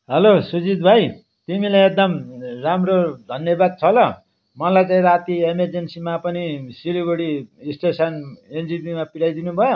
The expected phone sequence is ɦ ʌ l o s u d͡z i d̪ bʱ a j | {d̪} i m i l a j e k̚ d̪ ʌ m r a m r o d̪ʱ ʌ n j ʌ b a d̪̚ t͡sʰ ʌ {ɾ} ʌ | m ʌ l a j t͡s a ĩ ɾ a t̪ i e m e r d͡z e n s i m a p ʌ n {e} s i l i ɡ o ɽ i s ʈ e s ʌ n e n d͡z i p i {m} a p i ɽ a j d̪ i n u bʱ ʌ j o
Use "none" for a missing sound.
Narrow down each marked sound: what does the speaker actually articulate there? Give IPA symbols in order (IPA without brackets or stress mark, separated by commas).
t̪, l, i, m